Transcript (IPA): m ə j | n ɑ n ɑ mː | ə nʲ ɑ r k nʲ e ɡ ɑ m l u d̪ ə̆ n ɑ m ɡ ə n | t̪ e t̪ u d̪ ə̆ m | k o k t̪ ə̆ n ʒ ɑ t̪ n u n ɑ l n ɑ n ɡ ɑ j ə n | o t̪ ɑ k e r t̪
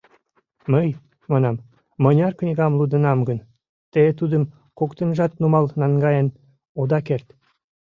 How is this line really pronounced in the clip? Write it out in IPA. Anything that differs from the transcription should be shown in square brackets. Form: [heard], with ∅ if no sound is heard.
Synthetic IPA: m ə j | [m] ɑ n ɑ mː | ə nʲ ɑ r k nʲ [i] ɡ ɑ m l u d̪ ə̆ n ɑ m ɡ ə n | t̪ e t̪ u d̪ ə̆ m | k o k t̪ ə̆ n ʒ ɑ t̪ n u [m] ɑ l n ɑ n ɡ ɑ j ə n | o [d̪] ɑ k e r t̪

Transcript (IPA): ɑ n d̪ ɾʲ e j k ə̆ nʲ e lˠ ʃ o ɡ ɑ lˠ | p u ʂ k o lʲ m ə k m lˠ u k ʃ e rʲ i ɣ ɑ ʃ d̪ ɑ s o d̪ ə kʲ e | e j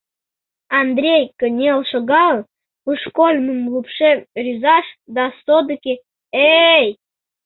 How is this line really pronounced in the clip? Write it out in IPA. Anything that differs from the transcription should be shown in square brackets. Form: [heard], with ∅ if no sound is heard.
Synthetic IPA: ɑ n d̪ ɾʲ e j k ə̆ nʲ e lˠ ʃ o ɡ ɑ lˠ | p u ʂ k o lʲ m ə [∅] m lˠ u [p] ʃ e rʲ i [z] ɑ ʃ d̪ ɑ s o d̪ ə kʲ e | e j

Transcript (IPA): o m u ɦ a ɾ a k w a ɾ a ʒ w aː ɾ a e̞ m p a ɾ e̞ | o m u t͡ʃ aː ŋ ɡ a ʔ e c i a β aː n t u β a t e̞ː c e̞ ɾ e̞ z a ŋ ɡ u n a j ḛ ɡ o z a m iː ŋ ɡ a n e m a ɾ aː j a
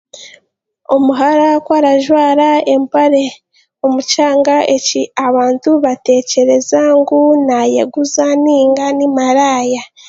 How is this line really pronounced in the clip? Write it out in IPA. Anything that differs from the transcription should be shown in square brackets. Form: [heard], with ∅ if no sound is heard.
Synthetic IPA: o m u ɦ a ɾ a k w a ɾ a ʒ w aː ɾ a e̞ m p a ɾ e̞ | o m u t͡ʃ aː ŋ ɡ a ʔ e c i a β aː n t u β a t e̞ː c e̞ ɾ e̞ z a ŋ ɡ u n a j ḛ ɡ [u] z a [n] iː ŋ ɡ a n [i] m a ɾ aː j a

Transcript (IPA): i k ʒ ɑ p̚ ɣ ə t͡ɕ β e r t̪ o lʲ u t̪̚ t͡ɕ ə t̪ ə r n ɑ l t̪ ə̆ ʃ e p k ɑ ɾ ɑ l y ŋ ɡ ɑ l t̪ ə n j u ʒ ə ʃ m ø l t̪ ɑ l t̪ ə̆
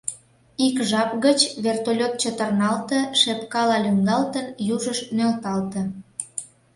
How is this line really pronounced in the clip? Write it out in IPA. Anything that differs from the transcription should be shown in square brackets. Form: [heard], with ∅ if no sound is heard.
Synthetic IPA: i k ʒ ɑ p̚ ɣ ə t͡ɕ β e r t̪ o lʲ [o] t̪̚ t͡ɕ ə t̪ ə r n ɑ l t̪ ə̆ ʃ e p k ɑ [l] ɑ l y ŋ ɡ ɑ l t̪ ə n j u ʒ ə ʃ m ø l t̪ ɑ l t̪ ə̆

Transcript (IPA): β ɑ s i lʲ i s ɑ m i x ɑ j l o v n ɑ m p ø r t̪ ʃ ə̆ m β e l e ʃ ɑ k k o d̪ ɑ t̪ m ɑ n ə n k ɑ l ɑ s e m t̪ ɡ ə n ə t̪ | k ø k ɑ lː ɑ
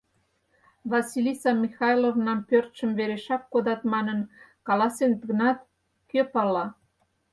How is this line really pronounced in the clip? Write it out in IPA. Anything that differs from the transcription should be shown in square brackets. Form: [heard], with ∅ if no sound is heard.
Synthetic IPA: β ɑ s i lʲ i s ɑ m i x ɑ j l o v n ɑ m p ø r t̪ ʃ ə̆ m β e [ɾ] e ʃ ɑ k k o d̪ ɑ t̪ m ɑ n ə n k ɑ l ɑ s e [n] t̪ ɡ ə n [ɑ] t̪ | k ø [p] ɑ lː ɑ

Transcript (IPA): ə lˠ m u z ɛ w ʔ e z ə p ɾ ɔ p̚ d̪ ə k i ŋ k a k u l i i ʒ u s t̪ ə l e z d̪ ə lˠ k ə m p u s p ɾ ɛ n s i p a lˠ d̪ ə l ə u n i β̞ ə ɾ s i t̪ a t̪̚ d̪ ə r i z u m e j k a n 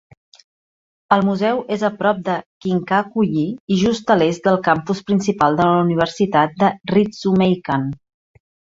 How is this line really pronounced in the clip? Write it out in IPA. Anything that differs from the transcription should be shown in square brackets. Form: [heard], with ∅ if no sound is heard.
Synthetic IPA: ə lˠ m u z ɛ w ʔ e z ə p ɾ ɔ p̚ d̪ ə k i ŋ k a k u [ʎ] i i ʒ u s t̪ ə l e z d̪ ə lˠ k [a] m p u s p ɾ [i] n s i p a lˠ d̪ ə l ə u n i β̞ ə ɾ s i t̪ a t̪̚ d̪ ə r i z u m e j k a n

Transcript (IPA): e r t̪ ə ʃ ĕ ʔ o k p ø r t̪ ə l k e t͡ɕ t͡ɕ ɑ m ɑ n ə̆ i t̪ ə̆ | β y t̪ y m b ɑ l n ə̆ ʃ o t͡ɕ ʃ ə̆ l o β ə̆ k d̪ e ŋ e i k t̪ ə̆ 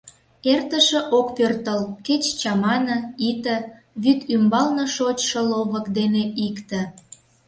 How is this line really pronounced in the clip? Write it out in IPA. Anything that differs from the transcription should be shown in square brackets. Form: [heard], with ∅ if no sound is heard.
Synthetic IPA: e r t̪ ə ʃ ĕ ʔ o k p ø r t̪ ə l k e t͡ɕ t͡ɕ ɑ m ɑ n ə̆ i t̪ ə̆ | β y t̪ y m b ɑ l n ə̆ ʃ o t͡ɕ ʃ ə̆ l o β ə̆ k d̪ e [n] e i k t̪ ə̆

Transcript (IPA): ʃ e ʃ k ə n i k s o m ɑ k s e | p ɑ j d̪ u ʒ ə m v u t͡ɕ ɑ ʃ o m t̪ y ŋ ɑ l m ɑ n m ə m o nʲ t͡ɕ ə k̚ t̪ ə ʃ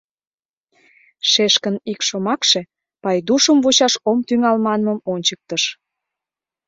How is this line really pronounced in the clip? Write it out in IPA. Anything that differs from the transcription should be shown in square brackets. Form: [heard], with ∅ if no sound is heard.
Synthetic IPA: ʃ e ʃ k ə n i k [ʃ] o m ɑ k [ʃ] e | p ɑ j d̪ u [ʃ] ə m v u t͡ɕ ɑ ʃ o m t̪ y ŋ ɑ l m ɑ n m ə m o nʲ t͡ɕ ə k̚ t̪ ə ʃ

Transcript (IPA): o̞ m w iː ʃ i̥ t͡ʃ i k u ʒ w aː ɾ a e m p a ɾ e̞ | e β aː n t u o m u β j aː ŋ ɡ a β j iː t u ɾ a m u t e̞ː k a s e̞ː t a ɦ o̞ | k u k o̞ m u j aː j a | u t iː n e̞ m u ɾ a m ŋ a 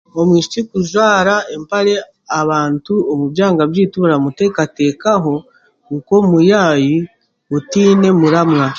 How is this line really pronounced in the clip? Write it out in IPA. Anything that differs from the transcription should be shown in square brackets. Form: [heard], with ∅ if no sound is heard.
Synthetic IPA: o̞ m w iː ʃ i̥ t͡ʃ i k u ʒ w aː ɾ a e m p a ɾ e̞ | [a] β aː n t u o m u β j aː ŋ ɡ a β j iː t u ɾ a m u t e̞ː k a [t] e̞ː [k] a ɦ o̞ | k u k o̞ m u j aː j [i] | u t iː n e̞ m u ɾ a m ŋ a

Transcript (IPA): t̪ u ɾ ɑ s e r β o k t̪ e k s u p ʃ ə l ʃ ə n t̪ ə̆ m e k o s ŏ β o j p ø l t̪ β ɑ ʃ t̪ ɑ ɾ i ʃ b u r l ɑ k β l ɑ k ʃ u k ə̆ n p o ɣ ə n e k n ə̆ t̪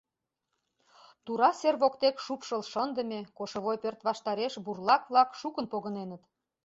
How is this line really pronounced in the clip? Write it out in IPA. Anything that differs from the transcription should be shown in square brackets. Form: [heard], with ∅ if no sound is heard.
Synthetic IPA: t̪ u ɾ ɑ s e r β o k t̪ e k [ʃ] u p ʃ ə l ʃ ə n [d̪] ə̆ m e k o [ʃ] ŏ β o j p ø [r] t̪ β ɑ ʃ t̪ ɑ ɾ [e] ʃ b u r l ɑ k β l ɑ k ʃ u k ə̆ n p o ɣ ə n e [∅] n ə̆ t̪

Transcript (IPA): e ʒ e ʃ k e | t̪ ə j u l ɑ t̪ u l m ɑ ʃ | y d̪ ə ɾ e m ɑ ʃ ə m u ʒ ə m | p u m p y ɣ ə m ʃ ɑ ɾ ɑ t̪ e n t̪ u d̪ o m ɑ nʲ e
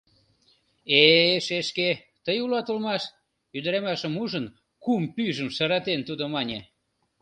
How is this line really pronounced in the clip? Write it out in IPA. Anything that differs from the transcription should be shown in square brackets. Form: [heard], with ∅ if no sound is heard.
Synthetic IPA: e [ʃ] e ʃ k e | t̪ ə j u l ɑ t̪ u l m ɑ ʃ | y d̪ ə ɾ e m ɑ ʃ ə m u ʒ ə [n] | [k] u m p y [ʒ] ə m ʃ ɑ ɾ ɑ t̪ e n t̪ u d̪ o m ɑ nʲ e

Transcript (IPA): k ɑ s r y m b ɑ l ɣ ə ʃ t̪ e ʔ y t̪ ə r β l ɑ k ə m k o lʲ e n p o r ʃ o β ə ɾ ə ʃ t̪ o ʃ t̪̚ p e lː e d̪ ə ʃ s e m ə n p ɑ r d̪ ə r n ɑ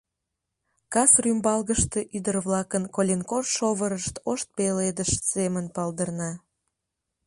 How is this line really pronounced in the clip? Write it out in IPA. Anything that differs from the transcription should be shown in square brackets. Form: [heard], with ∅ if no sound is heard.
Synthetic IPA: k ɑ s r y m b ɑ l ɣ ə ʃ t̪ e ʔ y [d̪] ə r β l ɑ k ə [n] k o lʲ e n [k] o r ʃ o β ə ɾ ə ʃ t̪ o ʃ t̪̚ p e [l] e d̪ ə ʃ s e m ə n p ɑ [l] d̪ ə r n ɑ

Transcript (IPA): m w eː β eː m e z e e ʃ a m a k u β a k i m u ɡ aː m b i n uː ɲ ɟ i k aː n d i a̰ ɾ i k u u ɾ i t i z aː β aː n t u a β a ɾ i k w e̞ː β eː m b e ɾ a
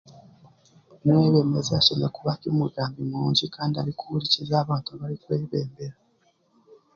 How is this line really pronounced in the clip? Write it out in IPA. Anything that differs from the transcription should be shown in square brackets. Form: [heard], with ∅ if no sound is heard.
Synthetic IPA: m w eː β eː m e z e [a] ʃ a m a k u β a k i m u ɡ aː m b i [m] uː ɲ ɟ i k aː n d i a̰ ɾ i k u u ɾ i [c] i z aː β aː n t u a β a ɾ i k w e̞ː β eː m b e ɾ a

